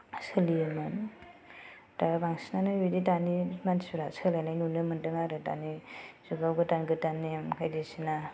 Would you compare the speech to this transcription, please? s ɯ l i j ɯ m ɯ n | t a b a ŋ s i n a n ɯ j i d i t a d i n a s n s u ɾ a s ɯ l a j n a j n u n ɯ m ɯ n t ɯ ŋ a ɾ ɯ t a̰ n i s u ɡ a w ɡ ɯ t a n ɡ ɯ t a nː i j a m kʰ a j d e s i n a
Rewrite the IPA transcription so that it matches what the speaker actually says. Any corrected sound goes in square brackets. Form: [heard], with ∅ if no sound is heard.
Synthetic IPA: s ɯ l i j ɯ m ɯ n | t a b a ŋ s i n a n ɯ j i d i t a [n] i [m] a [∅] n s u ɾ a s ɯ l a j n a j n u n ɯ m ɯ n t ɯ ŋ a ɾ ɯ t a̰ n i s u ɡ a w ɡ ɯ t a n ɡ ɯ t a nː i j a m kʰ a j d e s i n a